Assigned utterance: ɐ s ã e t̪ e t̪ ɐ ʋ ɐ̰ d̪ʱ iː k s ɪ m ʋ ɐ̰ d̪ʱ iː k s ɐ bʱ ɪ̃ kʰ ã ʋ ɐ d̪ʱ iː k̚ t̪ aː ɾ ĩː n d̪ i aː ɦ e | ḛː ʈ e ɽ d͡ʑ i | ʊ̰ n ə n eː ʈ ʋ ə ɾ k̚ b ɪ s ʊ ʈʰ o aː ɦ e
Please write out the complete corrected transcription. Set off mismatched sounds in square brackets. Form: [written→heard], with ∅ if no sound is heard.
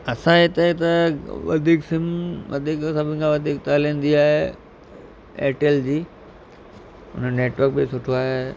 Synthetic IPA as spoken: ɐ s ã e t̪ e t̪ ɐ ʋ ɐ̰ d̪ʱ iː k s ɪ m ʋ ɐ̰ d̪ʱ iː k s ɐ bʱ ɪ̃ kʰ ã ʋ ɐ d̪ʱ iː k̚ t̪ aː [ɾ→l] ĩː n d̪ i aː ɦ e | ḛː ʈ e [ɽ→l] d͡ʑ [i→iː] | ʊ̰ n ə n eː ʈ ʋ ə ɾ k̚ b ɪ s ʊ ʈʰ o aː ɦ e